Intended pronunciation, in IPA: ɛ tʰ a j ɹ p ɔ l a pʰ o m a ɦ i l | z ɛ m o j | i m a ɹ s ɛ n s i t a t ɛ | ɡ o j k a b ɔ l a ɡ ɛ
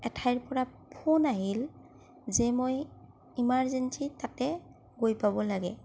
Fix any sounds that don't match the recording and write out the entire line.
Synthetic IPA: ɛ tʰ a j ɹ p ɔ ɹ a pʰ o n a ɦ i l | z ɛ m o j | i m a ɹ z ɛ n s i t a t ɛ | ɡ o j p a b ɔ l a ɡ ɛ